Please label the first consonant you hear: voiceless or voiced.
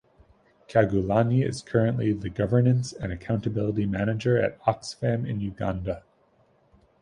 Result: voiceless